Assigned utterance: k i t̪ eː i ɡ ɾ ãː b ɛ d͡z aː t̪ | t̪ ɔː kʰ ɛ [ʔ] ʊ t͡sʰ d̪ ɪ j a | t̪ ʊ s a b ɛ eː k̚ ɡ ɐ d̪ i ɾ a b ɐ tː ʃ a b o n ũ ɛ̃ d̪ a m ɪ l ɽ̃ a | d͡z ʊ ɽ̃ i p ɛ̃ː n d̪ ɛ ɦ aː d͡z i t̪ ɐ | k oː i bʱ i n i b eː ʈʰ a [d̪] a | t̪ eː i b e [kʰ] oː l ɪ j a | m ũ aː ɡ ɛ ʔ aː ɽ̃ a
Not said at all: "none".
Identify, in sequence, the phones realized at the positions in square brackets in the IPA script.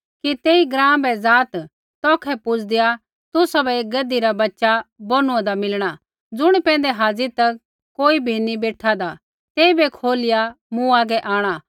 p, d̪, kʰ

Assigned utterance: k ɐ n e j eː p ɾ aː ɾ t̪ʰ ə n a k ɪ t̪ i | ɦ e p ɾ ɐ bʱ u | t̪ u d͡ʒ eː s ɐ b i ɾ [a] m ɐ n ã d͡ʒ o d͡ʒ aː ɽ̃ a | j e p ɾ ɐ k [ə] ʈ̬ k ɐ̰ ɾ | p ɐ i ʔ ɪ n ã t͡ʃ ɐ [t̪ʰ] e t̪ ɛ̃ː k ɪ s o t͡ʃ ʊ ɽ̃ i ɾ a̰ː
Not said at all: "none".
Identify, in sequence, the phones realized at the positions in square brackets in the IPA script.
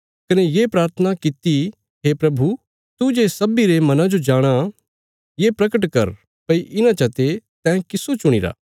e, ə, t̪

